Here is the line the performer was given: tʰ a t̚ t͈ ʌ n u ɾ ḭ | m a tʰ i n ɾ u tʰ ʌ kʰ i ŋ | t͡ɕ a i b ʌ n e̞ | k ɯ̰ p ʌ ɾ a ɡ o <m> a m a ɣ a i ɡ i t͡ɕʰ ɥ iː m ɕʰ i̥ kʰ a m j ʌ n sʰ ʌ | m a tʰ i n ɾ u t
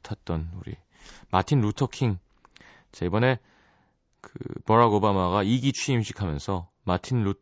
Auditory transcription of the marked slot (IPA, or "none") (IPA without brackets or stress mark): b